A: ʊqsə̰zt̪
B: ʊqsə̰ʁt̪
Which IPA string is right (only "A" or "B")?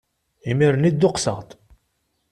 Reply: B